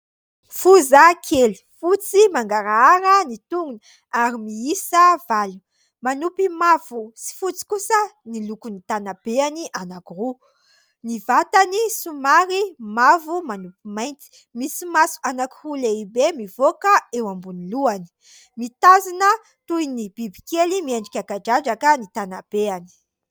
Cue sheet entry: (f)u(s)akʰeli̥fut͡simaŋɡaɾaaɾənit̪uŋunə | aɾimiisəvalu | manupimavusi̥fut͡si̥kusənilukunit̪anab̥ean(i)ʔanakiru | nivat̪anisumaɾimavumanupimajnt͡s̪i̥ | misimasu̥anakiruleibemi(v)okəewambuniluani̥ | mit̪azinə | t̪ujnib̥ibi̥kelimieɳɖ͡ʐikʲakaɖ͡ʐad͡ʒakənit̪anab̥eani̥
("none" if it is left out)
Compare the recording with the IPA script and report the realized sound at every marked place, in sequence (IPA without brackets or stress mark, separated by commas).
f, z, i, v